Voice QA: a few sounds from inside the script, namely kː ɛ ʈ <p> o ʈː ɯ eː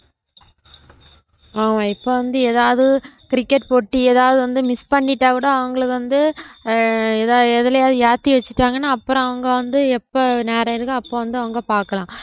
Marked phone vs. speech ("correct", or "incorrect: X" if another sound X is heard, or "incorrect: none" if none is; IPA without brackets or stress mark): correct